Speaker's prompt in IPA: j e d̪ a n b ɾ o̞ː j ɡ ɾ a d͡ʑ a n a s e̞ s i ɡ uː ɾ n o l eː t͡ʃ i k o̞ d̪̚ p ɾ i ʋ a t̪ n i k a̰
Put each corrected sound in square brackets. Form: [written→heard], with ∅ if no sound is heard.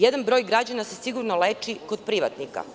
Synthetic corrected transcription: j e d̪ a n b ɾ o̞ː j ɡ ɾ a d͡ʑ a n a s e̞ s i ɡ [uː→u] ɾ n o l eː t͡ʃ i k o̞ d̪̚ p ɾ i ʋ a t̪ n i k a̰